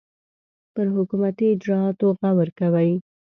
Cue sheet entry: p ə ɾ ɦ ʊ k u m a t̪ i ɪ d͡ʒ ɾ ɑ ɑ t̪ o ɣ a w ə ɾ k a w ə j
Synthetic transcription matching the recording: p ə ɾ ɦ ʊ k u m a t̪ i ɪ d͡ʒ ɾ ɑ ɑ t̪ o ɣ a w ə ɾ k a w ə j